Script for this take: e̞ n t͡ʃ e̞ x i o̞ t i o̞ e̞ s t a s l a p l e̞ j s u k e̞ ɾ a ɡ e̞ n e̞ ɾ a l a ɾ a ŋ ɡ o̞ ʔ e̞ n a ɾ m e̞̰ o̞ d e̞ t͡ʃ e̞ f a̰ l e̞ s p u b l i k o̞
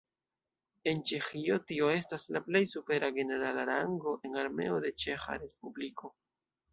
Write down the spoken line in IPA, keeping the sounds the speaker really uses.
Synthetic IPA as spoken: e̞ n t͡ʃ e̞ x i o̞ t i o̞ e̞ s t a s l a p l e̞ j s u p e̞ ɾ a ɡ e̞ n e̞ ɾ a l a ɾ a ŋ ɡ o̞ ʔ e̞ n a ɾ m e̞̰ o̞ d e̞ t͡ʃ e̞ x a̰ ɾ e̞ s p u b l i k o̞